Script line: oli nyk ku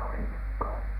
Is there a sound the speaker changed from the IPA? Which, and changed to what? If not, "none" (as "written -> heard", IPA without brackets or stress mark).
u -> o